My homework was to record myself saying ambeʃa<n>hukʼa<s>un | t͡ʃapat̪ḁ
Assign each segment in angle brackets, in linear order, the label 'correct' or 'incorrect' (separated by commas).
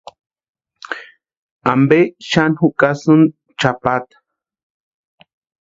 correct, correct